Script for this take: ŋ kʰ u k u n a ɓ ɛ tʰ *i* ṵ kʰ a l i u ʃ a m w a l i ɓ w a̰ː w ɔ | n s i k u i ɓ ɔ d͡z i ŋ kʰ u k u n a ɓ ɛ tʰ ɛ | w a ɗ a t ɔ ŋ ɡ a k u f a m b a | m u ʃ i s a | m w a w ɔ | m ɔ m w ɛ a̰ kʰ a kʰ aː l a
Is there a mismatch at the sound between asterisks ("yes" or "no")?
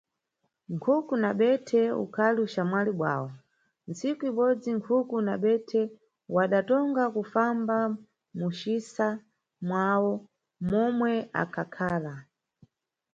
yes